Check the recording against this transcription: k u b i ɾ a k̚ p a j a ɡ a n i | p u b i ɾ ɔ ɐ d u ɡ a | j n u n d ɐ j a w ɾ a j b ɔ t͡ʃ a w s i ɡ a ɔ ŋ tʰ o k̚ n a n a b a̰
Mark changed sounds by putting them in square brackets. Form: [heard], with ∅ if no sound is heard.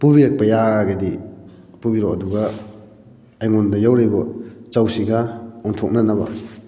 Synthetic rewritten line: [p] u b i ɾ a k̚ p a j a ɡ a [d] i | p u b i ɾ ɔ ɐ d u ɡ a | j [ŋ] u n d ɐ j a w ɾ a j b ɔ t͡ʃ a w s i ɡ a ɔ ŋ tʰ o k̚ n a n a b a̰